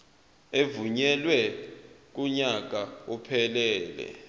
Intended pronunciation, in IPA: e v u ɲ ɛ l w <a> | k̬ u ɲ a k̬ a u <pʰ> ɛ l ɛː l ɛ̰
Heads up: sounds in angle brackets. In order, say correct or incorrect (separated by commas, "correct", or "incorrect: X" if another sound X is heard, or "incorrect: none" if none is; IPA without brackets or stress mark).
incorrect: ɛ, correct